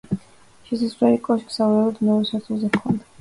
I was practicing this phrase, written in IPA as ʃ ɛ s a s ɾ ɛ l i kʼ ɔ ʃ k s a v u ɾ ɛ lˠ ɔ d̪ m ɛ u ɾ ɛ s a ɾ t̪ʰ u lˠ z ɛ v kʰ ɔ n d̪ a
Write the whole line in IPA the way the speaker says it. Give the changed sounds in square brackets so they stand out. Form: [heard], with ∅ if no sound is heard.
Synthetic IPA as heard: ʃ ɛ s a s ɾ ɛ l i kʼ ɔ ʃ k s a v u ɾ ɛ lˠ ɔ d̪ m ɛ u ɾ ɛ s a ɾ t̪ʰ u lˠ z ɛ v kʰ ɔ n d̪ a